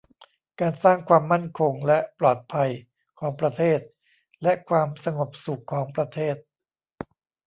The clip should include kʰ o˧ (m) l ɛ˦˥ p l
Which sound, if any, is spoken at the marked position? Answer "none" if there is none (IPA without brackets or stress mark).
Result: ŋ